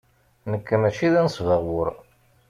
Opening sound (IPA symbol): n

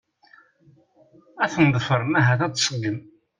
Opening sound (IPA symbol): æ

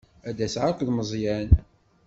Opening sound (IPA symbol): æ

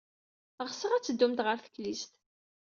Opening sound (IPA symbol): ʁ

